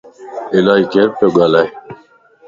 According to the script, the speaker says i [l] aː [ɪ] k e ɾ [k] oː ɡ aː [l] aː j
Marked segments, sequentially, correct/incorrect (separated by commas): correct, incorrect, incorrect, correct